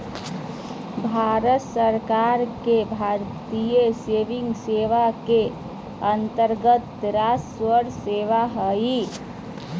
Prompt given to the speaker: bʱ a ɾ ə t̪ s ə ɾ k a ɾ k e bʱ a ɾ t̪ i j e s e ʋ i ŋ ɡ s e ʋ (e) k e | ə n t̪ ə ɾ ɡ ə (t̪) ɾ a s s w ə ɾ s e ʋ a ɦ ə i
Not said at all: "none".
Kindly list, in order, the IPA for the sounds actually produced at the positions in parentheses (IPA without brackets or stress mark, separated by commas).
a, t̪